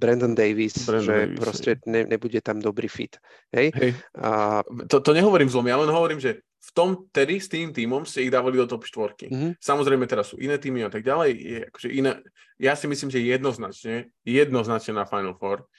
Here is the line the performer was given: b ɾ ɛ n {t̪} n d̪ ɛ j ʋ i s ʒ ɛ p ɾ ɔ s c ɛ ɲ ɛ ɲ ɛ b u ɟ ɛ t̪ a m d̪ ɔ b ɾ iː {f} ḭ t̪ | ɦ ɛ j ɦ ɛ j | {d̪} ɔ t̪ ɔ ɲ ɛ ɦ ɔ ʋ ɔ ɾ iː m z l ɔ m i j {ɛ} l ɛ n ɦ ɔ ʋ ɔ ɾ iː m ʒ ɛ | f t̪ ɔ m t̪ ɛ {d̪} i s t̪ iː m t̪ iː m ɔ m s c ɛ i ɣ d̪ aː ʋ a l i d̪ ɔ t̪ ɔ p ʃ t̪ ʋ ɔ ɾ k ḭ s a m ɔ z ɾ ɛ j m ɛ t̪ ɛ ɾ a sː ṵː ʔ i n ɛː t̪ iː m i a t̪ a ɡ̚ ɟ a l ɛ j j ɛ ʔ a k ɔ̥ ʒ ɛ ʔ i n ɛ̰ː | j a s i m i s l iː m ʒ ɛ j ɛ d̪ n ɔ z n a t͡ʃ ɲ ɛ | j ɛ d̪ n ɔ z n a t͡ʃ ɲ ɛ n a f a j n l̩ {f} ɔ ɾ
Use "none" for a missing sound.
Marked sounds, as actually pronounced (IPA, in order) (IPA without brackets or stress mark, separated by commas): d̪, f, t̪, a, d̪, f